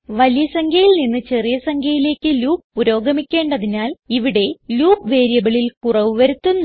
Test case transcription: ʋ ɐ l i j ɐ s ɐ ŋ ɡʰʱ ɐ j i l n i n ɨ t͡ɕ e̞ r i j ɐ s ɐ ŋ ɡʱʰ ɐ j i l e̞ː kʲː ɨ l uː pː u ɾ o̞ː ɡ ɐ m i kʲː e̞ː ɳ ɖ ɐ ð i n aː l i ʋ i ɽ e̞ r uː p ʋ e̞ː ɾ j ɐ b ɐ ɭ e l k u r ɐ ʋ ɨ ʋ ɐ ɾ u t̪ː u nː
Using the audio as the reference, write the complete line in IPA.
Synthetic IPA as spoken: ʋ ɐ l i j ɐ s ɐ ŋ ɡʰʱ ɐ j i l n i nː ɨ t͡ɕ e̞ r i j ɐ s ɐ ŋ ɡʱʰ ɐ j i l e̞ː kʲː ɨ l uː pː u ɾ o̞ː ɡ ɐ m i kʲː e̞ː ɳ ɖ ɐ ð i n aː l i ʋ i ɽ e̞ l uː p ʋ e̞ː ɾ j ɐ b ɐ ɭ i l k u r ɐ ʋ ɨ ʋ ɐ ɾ u t̪ː u nː